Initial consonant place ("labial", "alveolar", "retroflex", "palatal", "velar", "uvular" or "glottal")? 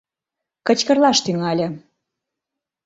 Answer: velar